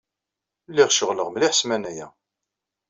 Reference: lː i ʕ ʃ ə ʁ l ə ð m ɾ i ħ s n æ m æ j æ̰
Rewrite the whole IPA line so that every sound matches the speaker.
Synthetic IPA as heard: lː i ʁ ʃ ə ʁ l ə ʁ m l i ħ s m æ n æ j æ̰